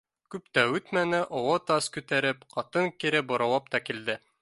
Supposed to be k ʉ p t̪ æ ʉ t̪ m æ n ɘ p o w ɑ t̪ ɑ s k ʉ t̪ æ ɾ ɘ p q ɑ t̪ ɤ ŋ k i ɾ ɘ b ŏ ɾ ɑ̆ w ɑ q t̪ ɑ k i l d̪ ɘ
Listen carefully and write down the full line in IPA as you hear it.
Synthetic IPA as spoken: k ʉ p t̪ æ ʉ t̪ m æ n ɘ ʔ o w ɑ t̪ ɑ s k ʉ t̪ æ ɾ ɘ p q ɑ t̪ ɤ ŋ k i ɾ ɘ b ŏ ɾ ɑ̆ w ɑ p t̪ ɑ k i l d̪ ɘ